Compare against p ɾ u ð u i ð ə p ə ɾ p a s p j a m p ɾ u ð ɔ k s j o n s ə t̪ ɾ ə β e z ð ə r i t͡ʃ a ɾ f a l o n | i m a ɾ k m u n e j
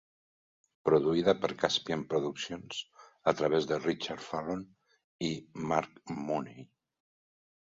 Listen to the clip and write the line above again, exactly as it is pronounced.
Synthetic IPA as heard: p ɾ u ð u i ð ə p ə ɾ k a s p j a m p ɾ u ð u k s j o n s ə t̪ ɾ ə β e z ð ə r i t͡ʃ a ɾ f a l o n | i m a ɾ k m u n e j

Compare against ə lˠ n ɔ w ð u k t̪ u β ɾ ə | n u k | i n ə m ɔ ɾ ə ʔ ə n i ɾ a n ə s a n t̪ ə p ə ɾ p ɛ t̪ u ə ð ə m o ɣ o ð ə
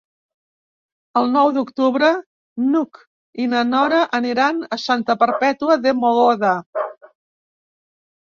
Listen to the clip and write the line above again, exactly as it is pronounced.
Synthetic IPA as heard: ə lˠ n ɔ w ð u k t̪ u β ɾ ə | n u k | i n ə n ɔ ɾ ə ʔ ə n i ɾ a n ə s a n t̪ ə p ə ɾ p ɛ t̪ u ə ð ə m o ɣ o ð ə

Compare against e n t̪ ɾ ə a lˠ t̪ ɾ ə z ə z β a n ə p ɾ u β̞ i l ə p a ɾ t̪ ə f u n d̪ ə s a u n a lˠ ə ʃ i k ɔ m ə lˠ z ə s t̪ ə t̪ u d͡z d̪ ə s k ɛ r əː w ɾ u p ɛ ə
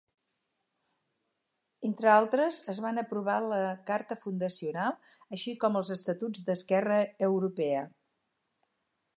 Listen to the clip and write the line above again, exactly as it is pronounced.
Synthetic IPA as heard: e n t̪ ɾ ə a lˠ t̪ ɾ ə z ə z β a n ə p ɾ u β̞ a l ə k a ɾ t̪ ə f u n d̪ ə s i u n a lˠ ə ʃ i k ɔ m ə lˠ z ə s t̪ ə t̪ u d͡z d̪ ə s k ɛ r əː w ɾ u p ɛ ə

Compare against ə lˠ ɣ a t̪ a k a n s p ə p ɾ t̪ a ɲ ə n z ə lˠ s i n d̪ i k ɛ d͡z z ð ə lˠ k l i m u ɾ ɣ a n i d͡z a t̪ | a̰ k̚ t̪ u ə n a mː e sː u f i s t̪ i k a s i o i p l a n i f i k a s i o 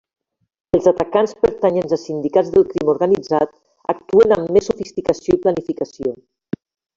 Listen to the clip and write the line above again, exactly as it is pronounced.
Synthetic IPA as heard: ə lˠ z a t̪ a k a n s p ə ɾ t̪ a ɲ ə n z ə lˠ s i n d̪ i k a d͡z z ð ə lˠ k ɾ i m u ɾ ɣ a n i d͡z a t̪ | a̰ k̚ t̪ u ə n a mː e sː u f i s t̪ i k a s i o i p l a n i f i k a s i o

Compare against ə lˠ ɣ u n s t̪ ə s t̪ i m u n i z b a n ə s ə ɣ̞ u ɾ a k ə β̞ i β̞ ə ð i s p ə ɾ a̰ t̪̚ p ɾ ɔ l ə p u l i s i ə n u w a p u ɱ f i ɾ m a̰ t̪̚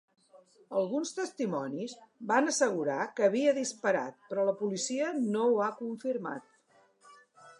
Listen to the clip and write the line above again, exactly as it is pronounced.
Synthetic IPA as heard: ə lˠ ɣ u n s t̪ ə s t̪ i m ɔ n i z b a n ə s ə ɣ̞ u ɾ a k ə β̞ i ə ð i s p ə ɾ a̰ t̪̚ p ɾ ɔ l ə p u l i s i ə n o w a k u ɱ f i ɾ m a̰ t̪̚

